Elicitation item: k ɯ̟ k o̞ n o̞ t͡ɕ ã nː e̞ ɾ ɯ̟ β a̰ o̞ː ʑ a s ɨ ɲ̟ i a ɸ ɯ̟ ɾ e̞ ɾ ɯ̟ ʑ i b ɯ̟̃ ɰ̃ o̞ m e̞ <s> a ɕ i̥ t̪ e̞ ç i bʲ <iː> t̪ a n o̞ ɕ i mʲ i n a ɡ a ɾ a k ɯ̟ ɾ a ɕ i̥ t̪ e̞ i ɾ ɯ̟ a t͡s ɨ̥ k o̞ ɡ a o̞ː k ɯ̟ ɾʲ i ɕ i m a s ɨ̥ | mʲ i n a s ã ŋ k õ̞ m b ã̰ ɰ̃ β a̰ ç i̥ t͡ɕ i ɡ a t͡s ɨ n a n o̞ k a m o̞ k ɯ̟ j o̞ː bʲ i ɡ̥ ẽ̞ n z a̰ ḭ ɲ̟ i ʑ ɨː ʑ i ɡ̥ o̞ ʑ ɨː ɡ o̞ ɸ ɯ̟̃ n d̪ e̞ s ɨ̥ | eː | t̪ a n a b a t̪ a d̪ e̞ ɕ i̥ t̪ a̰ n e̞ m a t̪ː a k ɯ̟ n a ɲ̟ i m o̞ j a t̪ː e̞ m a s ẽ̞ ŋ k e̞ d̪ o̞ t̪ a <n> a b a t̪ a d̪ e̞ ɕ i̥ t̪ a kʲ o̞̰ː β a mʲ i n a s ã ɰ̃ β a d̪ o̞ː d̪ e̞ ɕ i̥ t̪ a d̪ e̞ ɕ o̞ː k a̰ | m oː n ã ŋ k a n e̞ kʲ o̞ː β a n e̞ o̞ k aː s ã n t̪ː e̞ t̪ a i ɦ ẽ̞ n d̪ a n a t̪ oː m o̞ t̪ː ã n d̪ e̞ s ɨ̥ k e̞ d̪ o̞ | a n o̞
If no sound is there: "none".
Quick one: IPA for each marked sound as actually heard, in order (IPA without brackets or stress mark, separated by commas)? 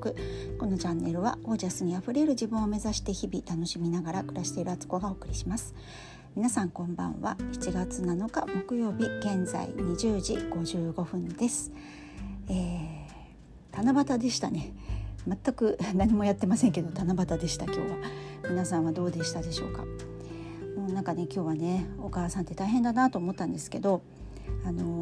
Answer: z, i, n